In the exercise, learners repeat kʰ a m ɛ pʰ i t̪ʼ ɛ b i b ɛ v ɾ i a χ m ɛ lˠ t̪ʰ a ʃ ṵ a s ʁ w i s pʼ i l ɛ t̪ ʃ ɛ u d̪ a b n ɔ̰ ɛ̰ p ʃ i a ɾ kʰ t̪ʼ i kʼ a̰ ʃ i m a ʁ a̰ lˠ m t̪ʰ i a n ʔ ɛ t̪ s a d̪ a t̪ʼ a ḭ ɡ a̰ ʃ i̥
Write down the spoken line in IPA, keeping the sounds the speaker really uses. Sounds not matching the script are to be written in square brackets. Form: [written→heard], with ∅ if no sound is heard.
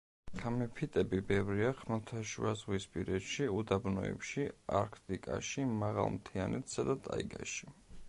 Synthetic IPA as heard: kʰ a m ɛ pʰ i t̪ʼ ɛ b i b ɛ v ɾ i a χ m ɛ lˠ t̪ʰ a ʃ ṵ a [s→z] ʁ w i s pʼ i [l→ɾ] ɛ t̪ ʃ [ɛ→i] u d̪ a b n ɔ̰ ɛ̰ p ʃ i a ɾ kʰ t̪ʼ i kʼ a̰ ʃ i m a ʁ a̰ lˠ m t̪ʰ i a n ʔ ɛ t̪ s a d̪ a t̪ʼ a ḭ ɡ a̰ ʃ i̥